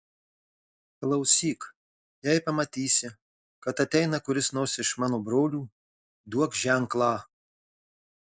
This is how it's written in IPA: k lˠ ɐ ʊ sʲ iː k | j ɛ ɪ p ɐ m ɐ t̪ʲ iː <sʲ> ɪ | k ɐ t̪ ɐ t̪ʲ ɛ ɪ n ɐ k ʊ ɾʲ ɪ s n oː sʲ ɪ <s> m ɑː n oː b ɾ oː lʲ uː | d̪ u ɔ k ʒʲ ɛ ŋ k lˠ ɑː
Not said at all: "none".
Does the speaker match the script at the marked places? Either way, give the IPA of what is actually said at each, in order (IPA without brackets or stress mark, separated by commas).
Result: sʲ, ʃ